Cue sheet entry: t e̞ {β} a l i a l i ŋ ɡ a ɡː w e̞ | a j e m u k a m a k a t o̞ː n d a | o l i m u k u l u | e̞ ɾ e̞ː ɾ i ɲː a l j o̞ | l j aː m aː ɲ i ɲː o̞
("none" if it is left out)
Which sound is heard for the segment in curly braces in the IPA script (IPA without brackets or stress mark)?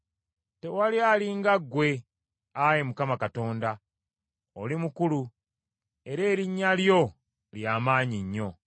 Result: w